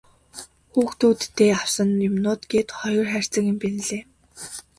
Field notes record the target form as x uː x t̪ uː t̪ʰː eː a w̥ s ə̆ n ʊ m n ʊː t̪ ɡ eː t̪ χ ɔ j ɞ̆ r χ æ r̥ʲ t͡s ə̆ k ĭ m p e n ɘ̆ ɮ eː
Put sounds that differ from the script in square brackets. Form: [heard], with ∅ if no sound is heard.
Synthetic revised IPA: x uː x t̪ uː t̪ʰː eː a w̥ s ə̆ n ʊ m n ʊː t̪ ɡ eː t̪ χ ɔ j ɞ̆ r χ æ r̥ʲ t͡s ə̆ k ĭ m p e n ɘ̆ ɮ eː